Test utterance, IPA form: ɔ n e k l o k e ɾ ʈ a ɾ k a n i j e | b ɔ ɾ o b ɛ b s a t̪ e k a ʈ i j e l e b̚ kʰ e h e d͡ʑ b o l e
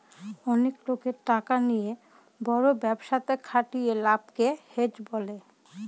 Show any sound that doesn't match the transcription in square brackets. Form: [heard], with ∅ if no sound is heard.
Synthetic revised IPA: ɔ n e k l o k e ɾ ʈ a [∅] k a n i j e | b ɔ ɾ o b ɛ b [ʃ] a t̪ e [kʰ] a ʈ i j e l [a] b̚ [k] e h e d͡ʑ b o l e

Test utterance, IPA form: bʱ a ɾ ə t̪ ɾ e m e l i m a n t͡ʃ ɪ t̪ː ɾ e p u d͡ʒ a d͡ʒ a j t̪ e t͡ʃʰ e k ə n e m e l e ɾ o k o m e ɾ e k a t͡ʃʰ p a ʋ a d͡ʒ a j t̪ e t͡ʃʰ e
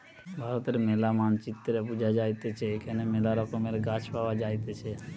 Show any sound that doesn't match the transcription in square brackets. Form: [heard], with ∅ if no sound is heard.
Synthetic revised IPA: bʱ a ɾ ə t̪ ɾ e m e l [a] m a n t͡ʃ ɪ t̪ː ɾ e p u d͡ʒ a d͡ʒ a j t̪ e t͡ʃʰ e k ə n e m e l [a] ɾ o k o m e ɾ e [ɡ] a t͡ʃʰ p a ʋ a d͡ʒ a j t̪ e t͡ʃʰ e

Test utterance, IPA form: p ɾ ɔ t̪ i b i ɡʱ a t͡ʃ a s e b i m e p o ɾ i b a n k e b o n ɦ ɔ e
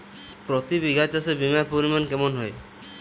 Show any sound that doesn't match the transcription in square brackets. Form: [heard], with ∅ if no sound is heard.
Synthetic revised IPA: p ɾ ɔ t̪ i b i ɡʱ a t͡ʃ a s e b i m [a] p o ɾ i [m] a n k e [m] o n ɦ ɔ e

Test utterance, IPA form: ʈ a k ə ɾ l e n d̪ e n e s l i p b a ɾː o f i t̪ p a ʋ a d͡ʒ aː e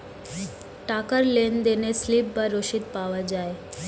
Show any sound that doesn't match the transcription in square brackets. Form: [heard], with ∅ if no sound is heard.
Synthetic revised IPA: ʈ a k ə ɾ l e n d̪ e n e s l i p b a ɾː o [ʃ] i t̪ p a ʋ a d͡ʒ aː e

